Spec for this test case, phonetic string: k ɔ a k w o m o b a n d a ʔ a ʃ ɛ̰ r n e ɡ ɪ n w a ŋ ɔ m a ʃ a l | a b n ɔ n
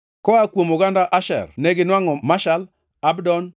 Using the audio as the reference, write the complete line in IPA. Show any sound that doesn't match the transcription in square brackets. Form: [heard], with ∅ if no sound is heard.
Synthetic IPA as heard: k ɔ a k w o m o [ɡ] a n d a ʔ a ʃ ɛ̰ r n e ɡ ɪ n w a ŋ ɔ m a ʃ a l | a b [d] ɔ n